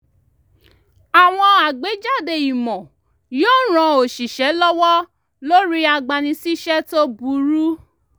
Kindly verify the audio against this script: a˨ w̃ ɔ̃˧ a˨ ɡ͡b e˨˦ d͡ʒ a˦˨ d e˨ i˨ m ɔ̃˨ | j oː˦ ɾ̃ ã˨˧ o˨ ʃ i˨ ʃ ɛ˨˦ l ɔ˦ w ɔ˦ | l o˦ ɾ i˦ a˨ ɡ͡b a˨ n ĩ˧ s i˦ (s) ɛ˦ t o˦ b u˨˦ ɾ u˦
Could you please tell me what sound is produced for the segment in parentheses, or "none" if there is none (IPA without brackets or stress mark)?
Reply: ʃ